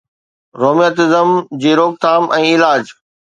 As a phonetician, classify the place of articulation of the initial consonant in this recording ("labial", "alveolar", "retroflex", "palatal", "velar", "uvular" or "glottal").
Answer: alveolar